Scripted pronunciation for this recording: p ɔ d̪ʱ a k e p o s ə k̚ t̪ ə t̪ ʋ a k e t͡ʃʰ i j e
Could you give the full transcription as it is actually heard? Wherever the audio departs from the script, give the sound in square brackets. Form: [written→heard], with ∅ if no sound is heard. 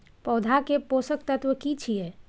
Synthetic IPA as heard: p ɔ d̪ʱ a k e p o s ə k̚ t̪ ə t̪ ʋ [a→ə] k [e→i] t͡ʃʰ i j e